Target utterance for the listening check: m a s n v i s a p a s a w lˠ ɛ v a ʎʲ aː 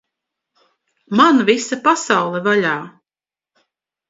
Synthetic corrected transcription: m a n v i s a p a s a w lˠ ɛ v a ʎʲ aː